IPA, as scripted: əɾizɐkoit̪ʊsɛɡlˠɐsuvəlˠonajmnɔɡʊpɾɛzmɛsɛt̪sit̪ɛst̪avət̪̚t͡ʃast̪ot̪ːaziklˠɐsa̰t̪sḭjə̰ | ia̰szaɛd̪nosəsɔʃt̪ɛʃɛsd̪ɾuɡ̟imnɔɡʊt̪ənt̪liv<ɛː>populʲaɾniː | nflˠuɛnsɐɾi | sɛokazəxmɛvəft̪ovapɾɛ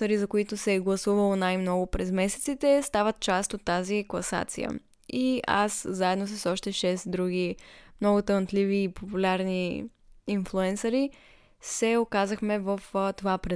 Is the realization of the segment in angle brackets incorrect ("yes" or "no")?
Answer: yes